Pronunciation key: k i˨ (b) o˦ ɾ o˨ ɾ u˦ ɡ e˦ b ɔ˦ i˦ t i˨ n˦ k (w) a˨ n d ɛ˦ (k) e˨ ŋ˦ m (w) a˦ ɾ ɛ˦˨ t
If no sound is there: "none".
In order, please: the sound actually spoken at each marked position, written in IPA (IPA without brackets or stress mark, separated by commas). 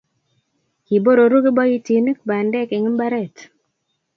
b, b, k, b